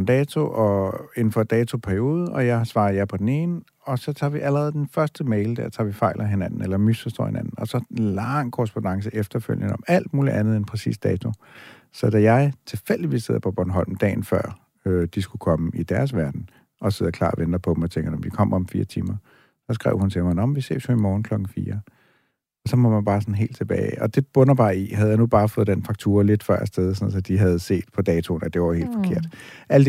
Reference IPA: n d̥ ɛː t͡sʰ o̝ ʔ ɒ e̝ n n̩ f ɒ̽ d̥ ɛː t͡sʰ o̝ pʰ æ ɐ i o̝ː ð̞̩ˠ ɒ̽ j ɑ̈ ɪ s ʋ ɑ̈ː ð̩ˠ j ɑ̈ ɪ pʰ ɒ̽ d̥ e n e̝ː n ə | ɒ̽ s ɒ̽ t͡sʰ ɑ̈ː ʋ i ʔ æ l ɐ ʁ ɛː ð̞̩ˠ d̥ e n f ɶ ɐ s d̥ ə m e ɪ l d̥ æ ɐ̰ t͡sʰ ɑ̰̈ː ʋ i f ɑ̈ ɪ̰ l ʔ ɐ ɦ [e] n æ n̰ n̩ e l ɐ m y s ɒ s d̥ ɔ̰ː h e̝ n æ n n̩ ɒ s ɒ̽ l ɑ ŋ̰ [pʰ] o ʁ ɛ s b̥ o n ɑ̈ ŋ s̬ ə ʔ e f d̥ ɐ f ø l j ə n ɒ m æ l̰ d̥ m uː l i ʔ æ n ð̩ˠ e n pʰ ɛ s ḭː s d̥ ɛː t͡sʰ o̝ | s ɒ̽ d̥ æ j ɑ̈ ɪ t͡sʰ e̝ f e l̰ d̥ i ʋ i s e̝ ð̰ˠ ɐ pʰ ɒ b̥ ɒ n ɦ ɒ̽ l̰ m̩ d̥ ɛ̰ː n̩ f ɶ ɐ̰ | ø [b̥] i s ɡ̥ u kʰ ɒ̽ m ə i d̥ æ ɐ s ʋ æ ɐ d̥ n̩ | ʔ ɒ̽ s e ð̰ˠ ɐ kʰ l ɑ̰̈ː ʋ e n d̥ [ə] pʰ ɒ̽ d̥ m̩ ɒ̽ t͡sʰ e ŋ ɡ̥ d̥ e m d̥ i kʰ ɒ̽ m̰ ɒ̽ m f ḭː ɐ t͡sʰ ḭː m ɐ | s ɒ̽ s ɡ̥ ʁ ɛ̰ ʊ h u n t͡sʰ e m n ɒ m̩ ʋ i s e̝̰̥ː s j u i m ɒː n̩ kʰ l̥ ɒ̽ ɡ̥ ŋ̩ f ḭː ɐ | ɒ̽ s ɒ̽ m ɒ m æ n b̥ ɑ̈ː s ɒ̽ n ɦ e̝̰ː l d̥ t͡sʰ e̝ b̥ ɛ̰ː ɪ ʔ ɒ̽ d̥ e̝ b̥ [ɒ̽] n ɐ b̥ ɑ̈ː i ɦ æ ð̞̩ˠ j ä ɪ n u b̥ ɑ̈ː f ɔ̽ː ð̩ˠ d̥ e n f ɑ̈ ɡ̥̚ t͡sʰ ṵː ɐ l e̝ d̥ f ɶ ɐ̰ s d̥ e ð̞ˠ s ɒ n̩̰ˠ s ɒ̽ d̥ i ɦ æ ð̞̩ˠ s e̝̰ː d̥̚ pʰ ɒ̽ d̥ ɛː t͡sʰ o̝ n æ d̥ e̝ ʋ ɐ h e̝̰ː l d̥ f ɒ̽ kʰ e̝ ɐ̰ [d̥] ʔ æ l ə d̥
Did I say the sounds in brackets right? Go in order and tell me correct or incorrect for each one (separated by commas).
correct, incorrect, incorrect, incorrect, incorrect, correct